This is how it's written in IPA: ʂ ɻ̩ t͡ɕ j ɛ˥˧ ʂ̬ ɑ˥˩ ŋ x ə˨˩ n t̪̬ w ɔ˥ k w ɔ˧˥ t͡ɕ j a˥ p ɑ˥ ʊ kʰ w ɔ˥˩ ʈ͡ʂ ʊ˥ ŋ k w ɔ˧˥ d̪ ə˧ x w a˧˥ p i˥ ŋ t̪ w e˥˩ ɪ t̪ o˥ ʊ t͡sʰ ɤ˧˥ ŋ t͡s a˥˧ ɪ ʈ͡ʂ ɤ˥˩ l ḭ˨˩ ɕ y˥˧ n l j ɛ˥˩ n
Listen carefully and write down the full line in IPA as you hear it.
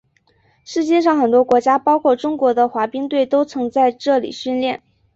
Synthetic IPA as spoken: ʂ ɻ̩ t͡ɕ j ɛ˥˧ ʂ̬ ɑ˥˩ ŋ x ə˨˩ n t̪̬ w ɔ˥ k w ɔ˧˥ t͡ɕ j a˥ p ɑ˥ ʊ kʰ w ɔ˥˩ ʈ͡ʂ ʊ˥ ŋ k w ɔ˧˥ d̪ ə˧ x w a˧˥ p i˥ ŋ t̪ w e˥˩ ɪ t̪ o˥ ʊ t͡sʰ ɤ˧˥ ŋ t͡s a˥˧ ɪ ʈ͡ʂ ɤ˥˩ l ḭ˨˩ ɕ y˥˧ n l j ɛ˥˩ n